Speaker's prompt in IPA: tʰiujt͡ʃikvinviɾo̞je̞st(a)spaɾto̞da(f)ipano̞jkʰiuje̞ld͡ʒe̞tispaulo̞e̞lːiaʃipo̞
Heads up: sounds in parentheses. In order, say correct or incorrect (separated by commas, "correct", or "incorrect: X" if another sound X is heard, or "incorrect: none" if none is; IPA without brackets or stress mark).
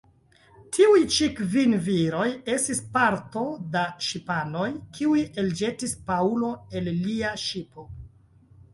incorrect: i, incorrect: ʃ